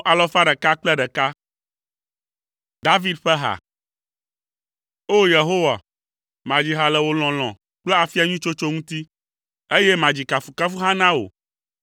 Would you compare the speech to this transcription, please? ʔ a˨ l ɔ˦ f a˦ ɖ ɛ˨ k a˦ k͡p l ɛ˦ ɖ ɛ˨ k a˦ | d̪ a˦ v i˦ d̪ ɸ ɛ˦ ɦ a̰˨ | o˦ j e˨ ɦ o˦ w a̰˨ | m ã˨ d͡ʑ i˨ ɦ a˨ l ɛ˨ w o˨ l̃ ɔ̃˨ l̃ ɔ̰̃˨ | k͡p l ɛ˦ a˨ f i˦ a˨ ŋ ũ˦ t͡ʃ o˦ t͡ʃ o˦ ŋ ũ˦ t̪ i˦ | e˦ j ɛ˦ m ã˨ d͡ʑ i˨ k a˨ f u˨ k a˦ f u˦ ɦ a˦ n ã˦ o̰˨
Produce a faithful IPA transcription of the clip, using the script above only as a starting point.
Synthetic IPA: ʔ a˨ l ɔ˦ f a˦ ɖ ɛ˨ k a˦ k͡p l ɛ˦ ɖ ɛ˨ k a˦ | d̪ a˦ v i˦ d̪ ɸ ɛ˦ ɦ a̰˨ | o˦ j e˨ ɦ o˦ w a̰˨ | m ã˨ d͡ʑ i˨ ɦ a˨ l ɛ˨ w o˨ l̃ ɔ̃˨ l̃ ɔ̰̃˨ | k͡p l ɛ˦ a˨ f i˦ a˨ ɲ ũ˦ t͡ʃ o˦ t͡ʃ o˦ ŋ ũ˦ t̪ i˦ | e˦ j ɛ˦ m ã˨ d͡ʑ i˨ k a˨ f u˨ k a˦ f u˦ ɦ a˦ n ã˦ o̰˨